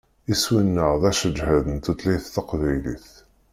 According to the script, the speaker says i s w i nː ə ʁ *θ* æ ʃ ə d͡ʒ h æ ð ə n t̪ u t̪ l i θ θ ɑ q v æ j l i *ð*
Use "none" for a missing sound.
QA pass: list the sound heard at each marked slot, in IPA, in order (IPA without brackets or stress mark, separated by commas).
ð, θ